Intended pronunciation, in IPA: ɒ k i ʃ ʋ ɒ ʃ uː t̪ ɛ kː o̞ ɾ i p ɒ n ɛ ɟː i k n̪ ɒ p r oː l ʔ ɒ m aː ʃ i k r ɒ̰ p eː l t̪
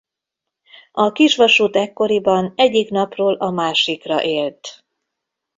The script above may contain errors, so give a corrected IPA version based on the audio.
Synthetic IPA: ɒ k i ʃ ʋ ɒ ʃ uː t̪ ɛ kː o̞ ɾ i b ɒ n ɛ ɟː i k n̪ ɒ p r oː l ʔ ɒ m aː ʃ i k r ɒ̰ ʔ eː l t̪